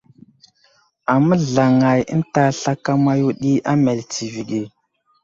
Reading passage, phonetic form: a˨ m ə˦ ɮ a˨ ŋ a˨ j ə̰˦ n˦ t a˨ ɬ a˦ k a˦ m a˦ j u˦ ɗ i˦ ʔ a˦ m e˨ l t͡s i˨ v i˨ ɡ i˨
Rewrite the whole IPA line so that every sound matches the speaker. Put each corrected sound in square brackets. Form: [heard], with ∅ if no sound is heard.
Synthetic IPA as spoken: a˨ m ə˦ ɮ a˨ ŋ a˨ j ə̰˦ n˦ t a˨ ɬ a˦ k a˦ m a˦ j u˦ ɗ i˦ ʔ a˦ m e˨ l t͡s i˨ v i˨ ɡ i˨